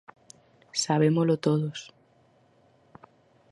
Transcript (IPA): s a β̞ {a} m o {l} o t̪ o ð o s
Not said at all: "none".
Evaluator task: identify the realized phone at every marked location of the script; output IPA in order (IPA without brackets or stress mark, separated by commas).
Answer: e, l